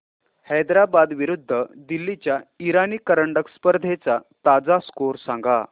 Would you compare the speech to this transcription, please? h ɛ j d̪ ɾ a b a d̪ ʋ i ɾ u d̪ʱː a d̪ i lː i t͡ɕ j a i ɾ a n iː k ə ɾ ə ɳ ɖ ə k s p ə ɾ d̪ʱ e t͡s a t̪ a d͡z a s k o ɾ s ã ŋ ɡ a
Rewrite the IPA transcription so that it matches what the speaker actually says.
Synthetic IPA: h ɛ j d̪ ɾ a b a d̪ ʋ i ɾ u d̪ʱː ə d̪ i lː i t͡ɕ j a i ɾ a n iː k ə ɾ ə ɳ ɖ ə k s p ə ɾ d̪ʱ e t͡s a t̪ a d͡z a s k o ɾ s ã ŋ ɡ a